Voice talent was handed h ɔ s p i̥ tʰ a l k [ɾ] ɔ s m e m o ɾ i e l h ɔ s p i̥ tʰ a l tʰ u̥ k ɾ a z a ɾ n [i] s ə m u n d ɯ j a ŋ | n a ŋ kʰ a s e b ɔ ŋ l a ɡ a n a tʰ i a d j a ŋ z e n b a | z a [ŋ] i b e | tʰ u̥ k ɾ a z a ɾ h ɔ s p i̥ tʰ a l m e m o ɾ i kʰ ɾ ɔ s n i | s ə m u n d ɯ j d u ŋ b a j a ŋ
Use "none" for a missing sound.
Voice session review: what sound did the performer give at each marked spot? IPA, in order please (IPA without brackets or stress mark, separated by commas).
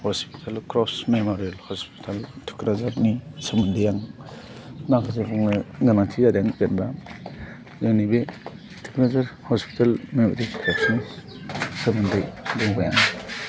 ɾ, i, n